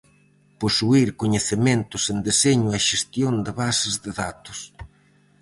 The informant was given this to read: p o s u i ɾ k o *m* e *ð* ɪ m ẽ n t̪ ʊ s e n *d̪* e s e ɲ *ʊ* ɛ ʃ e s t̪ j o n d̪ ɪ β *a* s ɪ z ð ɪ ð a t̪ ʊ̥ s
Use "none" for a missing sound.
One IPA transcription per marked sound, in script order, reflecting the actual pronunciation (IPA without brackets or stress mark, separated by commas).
ɲ, θ, d̪, ʊ, a